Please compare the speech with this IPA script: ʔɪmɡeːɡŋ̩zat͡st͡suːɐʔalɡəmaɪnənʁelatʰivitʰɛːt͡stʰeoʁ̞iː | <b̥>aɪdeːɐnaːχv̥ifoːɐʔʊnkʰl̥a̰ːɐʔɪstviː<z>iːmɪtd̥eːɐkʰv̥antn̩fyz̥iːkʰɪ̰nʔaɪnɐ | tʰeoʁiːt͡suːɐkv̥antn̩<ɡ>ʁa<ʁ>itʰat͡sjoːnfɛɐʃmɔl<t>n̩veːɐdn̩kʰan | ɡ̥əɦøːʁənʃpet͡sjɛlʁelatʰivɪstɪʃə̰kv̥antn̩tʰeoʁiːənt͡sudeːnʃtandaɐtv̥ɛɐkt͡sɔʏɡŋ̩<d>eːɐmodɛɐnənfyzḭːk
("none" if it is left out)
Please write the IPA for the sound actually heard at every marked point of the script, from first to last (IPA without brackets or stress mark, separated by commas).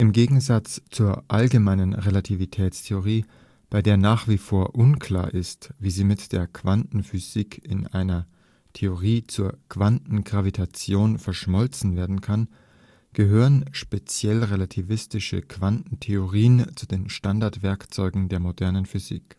b̥, z, ɡ, v, t͡s, d